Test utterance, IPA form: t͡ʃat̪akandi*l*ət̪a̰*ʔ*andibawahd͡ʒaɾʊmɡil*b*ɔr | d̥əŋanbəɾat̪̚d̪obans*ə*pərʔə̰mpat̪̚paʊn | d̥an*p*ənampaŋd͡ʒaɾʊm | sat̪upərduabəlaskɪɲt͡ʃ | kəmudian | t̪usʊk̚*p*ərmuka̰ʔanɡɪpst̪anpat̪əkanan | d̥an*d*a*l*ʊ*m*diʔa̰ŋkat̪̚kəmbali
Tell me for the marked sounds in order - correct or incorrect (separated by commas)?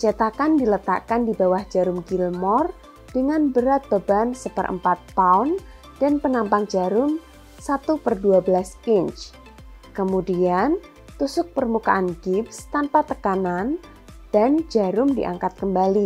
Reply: correct, incorrect, incorrect, correct, correct, correct, incorrect, incorrect, correct